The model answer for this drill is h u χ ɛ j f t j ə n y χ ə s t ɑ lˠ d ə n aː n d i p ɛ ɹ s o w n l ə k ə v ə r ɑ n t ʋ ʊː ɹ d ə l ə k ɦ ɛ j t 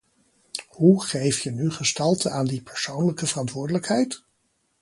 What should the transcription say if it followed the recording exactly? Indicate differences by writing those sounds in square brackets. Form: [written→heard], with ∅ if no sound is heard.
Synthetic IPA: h u χ [ɛ→e] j f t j ə n y χ ə s t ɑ lˠ [d→t] ə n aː n d i p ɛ ɹ s o w n l ə k ə v ə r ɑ n t ʋ ʊː ɹ d ə l ə k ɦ ɛ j t